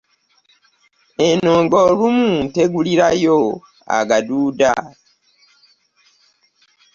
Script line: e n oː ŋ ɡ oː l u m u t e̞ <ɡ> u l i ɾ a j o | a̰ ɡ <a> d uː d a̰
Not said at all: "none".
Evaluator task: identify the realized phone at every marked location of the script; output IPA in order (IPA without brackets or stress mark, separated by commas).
ɡ, a